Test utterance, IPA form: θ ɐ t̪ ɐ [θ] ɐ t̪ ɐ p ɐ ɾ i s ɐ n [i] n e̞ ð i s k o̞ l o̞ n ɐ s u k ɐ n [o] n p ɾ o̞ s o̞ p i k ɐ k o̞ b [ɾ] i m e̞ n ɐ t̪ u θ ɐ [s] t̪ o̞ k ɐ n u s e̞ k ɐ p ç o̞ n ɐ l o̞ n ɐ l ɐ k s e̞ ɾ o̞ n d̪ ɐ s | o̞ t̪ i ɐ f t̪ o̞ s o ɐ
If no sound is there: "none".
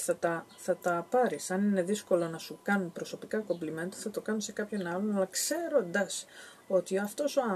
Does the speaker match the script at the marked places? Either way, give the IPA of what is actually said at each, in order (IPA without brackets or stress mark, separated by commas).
θ, i, u, l, none